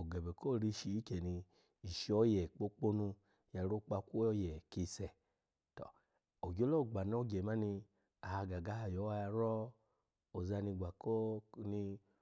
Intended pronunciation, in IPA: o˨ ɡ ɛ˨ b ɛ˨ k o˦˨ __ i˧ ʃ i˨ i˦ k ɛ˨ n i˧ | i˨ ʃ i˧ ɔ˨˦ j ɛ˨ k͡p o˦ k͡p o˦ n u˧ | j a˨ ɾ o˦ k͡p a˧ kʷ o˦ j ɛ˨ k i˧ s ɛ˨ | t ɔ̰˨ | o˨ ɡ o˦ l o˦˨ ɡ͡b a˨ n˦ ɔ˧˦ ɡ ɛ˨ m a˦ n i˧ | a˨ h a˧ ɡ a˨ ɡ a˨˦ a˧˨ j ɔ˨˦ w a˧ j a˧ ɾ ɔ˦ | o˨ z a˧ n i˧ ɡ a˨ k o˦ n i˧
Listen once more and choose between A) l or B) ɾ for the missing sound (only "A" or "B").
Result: B